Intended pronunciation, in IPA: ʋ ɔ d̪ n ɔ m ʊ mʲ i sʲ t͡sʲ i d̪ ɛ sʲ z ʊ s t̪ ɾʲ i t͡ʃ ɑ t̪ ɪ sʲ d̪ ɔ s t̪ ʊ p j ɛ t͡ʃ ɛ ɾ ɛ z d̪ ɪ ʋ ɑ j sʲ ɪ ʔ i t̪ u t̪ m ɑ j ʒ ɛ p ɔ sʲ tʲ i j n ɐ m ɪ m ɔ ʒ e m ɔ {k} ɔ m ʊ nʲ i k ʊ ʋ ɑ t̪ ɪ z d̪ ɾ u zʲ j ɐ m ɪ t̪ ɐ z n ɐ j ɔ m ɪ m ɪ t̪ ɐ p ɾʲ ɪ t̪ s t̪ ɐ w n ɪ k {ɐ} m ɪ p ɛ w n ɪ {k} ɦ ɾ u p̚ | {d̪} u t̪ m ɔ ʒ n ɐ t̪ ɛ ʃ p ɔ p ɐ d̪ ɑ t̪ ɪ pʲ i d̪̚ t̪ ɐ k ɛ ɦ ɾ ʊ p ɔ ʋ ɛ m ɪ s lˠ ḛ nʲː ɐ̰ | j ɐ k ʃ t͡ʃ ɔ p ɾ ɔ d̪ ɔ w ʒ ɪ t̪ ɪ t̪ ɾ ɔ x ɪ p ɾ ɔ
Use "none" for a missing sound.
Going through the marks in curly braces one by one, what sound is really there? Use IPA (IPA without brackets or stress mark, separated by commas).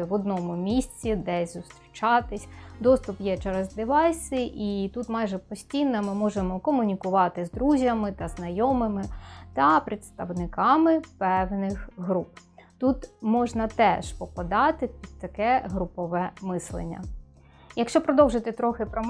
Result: k, ɑ, x, t̪